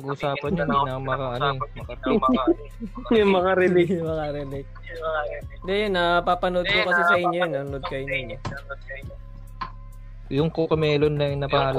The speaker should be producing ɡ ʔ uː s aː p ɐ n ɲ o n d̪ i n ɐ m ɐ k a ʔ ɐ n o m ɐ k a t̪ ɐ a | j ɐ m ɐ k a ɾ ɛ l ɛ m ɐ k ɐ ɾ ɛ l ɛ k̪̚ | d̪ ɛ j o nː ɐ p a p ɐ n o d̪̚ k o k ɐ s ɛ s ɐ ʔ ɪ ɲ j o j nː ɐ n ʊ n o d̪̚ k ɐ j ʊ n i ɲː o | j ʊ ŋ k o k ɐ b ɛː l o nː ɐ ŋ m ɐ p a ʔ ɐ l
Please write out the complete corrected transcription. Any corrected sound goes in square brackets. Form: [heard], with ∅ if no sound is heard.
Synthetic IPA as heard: ɡ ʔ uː s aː p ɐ n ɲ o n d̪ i n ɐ m ɐ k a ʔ ɐ n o m ɐ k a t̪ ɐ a | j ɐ m ɐ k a ɾ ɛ l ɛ m ɐ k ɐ ɾ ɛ l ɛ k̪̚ | d̪ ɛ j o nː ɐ p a p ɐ n o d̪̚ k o k ɐ s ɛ s ɐ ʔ ɪ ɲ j o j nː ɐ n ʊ n o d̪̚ k ɐ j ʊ n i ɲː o | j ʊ ŋ k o k ɐ [m] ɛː l o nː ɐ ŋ [n] ɐ p a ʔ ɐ l